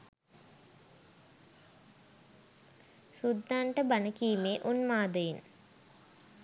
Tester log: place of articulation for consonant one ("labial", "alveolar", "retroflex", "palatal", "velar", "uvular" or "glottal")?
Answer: alveolar